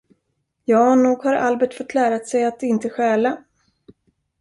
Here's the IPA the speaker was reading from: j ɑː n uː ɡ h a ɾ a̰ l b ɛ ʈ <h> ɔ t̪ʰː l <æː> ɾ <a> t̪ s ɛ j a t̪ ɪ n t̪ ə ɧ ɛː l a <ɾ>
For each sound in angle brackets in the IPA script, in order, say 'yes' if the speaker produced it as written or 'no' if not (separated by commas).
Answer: no, yes, yes, no